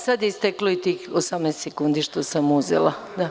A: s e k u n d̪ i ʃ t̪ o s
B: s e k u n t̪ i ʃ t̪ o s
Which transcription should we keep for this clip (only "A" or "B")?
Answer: A